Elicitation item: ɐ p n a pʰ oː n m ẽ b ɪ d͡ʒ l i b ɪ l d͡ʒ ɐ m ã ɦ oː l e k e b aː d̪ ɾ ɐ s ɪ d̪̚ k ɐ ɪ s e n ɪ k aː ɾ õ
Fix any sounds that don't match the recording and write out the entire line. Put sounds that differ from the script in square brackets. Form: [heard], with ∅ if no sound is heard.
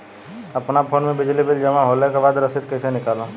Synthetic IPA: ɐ p n a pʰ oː n m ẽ b ɪ d͡ʒ l i b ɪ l d͡ʒ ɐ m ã ɦ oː l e k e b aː d̪ ɾ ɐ s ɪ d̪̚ k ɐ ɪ s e n ɪ k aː [l] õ